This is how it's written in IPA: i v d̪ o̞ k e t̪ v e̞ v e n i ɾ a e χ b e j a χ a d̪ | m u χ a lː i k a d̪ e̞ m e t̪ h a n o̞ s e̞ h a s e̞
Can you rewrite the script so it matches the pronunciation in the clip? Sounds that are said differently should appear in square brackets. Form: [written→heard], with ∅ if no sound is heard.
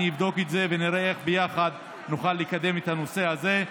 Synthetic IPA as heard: i v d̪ o̞ k e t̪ [v→z] e̞ v e n i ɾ [a→e] e χ b e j a χ a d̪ | [m→n] u χ a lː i k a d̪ e̞ m e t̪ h a n o̞ s e̞ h a [s→z] e̞